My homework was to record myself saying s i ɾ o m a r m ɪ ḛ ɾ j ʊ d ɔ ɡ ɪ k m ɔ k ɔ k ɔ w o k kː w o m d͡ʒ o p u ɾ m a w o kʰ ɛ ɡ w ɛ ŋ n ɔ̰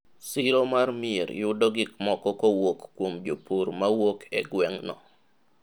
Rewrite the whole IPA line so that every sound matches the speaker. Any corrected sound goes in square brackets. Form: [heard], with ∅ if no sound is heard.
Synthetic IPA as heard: s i ɾ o m a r m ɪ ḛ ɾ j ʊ d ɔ ɡ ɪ k m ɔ k ɔ k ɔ w o k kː w o m d͡ʒ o p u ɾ m a w o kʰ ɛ ɡ w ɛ ŋ n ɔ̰